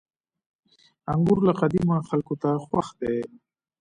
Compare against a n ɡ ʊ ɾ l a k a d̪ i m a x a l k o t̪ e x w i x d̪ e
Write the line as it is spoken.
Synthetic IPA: a ŋ ɡ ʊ ɾ l a q a d̪ i m a x a l k o t̪ a x w a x d̪ e